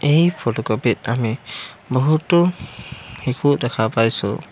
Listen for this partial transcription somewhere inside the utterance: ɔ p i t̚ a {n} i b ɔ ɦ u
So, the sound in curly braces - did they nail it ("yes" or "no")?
no